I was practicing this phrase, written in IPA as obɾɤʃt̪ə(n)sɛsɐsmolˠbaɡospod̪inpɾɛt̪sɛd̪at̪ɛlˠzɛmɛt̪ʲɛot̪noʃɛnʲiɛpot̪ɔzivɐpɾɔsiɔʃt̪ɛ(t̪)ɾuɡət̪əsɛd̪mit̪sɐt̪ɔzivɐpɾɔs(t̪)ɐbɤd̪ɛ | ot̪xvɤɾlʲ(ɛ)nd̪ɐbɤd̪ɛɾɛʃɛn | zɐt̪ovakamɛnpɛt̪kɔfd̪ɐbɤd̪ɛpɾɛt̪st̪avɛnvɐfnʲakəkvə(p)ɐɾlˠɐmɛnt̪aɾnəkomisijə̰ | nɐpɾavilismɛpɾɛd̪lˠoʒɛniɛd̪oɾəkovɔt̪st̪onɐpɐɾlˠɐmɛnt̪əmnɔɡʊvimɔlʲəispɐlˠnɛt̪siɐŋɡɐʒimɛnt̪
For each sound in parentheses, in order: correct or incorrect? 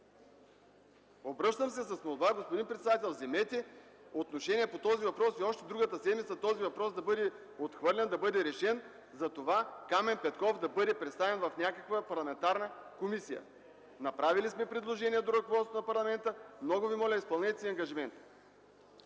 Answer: incorrect, incorrect, incorrect, correct, correct

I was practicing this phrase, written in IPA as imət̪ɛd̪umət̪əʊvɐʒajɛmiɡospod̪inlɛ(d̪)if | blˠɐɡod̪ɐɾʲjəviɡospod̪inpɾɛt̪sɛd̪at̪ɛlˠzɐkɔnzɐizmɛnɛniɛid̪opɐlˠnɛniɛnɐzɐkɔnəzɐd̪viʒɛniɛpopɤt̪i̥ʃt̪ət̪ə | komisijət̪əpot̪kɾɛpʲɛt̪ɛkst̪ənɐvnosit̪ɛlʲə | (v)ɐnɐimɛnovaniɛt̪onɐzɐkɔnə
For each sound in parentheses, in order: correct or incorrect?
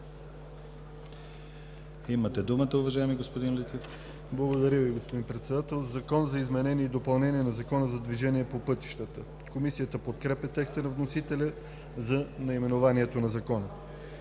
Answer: incorrect, incorrect

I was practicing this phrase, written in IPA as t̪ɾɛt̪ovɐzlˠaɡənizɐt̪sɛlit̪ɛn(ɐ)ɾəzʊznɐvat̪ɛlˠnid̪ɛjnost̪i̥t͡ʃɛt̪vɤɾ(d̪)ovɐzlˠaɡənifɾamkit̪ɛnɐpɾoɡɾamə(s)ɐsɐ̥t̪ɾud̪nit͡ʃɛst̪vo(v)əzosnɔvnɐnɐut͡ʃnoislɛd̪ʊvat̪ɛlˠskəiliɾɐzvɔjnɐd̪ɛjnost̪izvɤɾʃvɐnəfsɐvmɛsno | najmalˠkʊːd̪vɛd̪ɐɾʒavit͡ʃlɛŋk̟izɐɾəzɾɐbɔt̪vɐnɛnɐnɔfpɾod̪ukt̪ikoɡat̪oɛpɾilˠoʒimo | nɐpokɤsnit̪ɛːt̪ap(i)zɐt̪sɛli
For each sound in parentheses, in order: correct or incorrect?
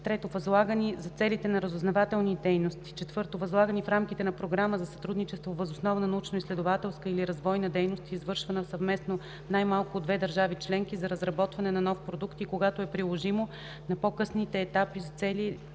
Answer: correct, incorrect, incorrect, correct, correct

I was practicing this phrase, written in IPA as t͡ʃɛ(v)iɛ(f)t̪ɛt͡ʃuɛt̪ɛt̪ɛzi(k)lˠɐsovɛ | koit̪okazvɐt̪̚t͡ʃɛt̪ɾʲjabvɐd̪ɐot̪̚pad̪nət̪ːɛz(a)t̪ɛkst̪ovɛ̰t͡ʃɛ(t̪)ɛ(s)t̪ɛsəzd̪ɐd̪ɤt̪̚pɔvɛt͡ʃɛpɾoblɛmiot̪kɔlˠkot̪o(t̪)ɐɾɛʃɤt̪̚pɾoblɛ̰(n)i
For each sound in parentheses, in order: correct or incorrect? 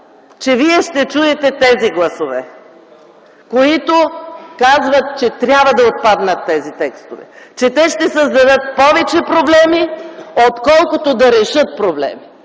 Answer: correct, incorrect, incorrect, incorrect, correct, incorrect, incorrect, incorrect

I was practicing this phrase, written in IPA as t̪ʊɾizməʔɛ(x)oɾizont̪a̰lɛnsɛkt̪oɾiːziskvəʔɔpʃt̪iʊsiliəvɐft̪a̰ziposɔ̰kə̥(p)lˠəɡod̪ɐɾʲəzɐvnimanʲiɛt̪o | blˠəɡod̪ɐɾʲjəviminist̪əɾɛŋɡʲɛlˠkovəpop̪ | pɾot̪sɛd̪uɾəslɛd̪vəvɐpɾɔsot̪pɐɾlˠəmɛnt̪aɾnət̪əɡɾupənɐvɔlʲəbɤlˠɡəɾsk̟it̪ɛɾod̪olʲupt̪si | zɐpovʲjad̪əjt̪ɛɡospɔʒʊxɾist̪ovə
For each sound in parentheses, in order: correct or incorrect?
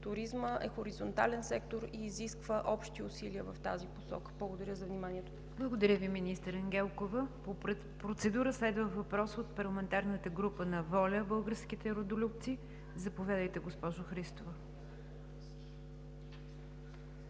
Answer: correct, incorrect

